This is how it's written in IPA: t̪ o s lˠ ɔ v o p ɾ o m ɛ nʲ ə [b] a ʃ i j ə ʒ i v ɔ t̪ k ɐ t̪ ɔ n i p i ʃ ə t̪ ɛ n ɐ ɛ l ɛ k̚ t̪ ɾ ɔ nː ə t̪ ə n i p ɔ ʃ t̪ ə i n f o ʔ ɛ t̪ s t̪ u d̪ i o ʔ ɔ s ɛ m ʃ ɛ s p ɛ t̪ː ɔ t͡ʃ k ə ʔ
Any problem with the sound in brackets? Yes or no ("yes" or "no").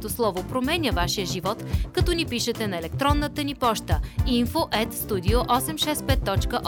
yes